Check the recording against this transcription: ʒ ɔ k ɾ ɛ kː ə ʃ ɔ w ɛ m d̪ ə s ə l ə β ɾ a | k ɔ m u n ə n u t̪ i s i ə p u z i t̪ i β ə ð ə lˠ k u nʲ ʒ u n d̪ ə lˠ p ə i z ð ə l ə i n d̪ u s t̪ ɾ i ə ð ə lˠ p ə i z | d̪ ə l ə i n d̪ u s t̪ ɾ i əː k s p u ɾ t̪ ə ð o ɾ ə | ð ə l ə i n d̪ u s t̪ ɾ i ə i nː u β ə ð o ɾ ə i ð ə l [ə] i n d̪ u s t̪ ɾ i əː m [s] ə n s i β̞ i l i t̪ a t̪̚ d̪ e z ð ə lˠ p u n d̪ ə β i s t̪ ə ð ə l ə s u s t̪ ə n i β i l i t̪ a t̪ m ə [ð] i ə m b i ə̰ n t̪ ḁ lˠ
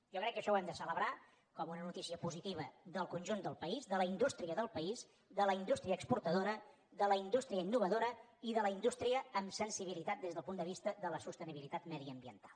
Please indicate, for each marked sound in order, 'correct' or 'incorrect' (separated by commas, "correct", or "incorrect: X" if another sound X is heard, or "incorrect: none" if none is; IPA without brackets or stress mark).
correct, correct, correct